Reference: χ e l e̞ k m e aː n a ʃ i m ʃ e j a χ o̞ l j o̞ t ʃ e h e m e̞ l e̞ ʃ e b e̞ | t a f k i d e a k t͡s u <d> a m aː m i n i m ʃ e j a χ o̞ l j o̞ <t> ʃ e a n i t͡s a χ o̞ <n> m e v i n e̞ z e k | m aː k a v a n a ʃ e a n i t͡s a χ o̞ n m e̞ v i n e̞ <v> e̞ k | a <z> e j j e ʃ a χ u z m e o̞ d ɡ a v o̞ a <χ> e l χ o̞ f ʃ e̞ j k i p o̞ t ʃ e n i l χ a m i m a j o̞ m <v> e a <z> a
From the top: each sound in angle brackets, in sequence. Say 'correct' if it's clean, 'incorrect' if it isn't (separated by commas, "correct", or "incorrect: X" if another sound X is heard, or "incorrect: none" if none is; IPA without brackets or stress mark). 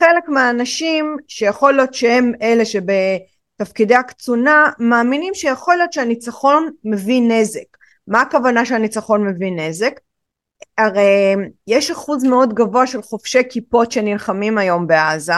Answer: incorrect: n, correct, correct, incorrect: z, incorrect: ʁ, incorrect: ʃ, incorrect: b, correct